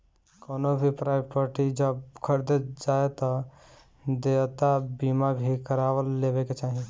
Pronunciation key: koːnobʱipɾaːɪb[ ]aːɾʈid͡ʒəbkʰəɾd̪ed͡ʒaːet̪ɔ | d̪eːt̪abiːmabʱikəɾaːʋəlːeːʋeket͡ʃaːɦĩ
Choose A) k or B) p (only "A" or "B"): B